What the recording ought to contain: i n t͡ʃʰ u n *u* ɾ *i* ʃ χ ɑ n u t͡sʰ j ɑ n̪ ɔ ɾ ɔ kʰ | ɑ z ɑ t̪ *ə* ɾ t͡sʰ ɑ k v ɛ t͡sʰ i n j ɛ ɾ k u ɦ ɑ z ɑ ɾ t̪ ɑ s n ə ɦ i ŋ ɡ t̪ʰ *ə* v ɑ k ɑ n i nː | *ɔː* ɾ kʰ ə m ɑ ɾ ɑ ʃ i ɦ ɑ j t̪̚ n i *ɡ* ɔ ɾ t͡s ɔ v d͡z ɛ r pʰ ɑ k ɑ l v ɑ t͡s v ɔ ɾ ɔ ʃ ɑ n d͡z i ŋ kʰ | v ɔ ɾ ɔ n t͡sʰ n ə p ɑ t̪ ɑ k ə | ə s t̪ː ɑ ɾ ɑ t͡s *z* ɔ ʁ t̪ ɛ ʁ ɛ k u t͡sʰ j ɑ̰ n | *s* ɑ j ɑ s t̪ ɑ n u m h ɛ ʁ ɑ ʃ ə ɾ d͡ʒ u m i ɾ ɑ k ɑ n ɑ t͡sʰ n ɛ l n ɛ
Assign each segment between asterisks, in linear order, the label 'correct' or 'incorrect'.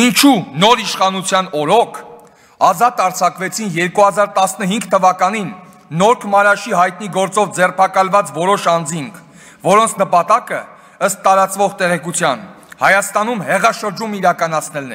incorrect, correct, incorrect, correct, incorrect, correct, incorrect, incorrect

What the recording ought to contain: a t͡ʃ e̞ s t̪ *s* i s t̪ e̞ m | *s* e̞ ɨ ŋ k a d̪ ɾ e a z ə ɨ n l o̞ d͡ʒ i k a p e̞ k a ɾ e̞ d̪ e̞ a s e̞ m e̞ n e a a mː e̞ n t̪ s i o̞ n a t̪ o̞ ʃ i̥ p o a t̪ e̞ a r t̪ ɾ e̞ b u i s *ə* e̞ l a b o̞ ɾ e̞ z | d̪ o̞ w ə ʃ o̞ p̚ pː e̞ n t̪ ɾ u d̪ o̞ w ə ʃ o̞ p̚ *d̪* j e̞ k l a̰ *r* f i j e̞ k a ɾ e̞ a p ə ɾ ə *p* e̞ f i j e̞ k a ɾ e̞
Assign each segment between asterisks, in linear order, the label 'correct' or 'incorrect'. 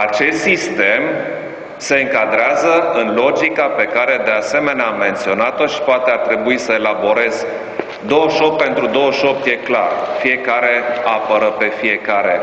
correct, correct, correct, incorrect, correct, correct

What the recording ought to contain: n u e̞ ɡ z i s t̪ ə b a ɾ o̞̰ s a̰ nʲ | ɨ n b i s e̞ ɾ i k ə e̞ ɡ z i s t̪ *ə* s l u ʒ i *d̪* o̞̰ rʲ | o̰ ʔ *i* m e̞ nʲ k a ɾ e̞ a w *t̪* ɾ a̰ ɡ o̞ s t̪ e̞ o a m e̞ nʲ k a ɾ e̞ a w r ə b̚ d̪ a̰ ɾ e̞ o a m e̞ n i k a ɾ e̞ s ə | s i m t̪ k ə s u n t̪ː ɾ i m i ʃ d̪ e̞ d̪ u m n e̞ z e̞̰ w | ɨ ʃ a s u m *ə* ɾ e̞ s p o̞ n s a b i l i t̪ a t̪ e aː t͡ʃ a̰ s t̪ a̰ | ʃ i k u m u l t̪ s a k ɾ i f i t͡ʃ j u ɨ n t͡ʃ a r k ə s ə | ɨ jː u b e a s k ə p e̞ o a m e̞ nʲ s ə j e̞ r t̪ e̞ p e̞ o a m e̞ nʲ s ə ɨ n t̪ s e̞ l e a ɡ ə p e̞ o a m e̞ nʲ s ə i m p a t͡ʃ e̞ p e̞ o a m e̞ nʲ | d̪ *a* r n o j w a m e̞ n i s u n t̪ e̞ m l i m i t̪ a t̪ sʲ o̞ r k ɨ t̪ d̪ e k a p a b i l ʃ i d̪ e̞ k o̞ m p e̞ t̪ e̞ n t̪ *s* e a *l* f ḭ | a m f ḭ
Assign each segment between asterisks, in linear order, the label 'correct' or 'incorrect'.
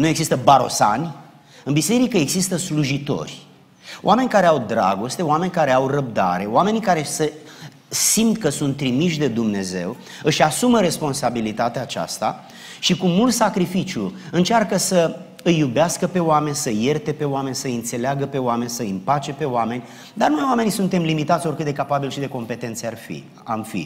correct, incorrect, incorrect, incorrect, correct, correct, correct, incorrect

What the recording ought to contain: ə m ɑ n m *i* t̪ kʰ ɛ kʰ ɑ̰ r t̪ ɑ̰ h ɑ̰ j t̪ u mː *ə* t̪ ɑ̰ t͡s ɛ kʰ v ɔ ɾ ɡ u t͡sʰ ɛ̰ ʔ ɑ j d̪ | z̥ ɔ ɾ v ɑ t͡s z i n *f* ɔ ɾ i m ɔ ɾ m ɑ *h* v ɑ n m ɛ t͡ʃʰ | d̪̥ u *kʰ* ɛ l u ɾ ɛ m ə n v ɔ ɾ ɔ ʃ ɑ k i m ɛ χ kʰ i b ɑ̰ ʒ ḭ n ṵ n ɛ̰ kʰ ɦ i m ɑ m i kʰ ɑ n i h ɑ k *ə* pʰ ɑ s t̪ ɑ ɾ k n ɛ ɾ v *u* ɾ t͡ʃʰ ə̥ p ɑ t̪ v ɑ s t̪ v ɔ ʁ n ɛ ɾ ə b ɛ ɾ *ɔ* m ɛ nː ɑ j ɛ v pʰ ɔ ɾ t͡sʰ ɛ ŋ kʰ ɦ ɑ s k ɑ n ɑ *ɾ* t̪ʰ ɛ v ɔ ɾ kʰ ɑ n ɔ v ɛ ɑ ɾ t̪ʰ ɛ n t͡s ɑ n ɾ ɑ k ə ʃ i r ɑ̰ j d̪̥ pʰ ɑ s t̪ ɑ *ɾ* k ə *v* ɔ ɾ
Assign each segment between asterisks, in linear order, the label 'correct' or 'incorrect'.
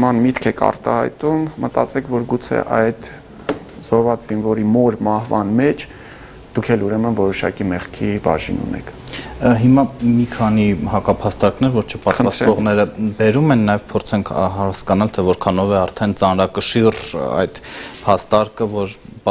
correct, correct, incorrect, correct, correct, incorrect, incorrect, incorrect, incorrect, correct, correct

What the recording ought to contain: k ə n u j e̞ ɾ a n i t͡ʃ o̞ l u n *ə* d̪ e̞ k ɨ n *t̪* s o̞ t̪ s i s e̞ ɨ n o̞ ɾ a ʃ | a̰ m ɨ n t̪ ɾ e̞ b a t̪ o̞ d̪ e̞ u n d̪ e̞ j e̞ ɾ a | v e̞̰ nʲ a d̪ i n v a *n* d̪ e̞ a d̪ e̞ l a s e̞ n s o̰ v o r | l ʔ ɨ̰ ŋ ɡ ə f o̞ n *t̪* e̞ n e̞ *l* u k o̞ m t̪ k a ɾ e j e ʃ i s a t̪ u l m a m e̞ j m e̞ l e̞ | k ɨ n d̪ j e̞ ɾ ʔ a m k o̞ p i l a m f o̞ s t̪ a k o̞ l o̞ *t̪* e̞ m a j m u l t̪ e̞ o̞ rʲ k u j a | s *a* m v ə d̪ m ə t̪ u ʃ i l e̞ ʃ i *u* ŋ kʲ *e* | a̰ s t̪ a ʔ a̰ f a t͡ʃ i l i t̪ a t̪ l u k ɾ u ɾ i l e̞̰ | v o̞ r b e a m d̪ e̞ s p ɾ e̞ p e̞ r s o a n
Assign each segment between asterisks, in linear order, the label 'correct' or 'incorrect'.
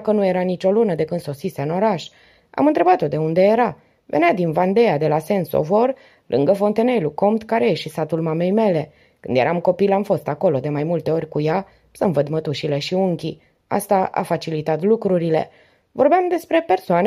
correct, incorrect, correct, correct, correct, incorrect, incorrect, correct, incorrect

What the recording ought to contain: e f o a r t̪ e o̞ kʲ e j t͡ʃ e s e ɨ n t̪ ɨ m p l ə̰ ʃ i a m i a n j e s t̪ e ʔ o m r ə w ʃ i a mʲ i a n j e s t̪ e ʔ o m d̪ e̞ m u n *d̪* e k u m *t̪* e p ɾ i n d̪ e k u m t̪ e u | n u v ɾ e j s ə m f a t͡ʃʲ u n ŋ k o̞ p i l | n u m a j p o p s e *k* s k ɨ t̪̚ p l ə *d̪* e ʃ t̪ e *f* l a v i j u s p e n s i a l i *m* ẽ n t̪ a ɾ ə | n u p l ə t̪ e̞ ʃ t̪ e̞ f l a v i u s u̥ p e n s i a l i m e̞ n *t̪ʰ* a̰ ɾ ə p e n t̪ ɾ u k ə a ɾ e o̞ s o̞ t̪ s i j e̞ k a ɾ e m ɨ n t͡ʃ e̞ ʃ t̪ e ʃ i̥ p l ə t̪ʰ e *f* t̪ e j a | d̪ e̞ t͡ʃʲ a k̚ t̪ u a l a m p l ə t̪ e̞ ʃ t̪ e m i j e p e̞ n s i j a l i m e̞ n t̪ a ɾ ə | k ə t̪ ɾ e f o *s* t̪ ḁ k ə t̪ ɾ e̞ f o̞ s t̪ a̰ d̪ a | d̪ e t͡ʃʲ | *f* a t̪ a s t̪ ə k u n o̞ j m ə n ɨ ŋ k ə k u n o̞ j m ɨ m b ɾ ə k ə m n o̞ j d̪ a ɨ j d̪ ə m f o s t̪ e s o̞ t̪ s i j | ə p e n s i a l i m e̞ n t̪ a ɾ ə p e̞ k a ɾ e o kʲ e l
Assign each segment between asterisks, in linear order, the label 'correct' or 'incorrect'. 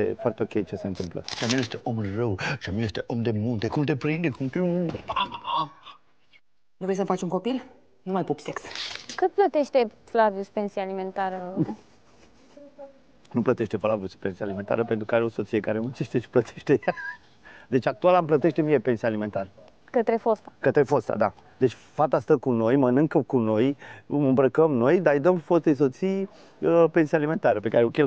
incorrect, correct, correct, incorrect, correct, correct, incorrect, incorrect, correct, correct

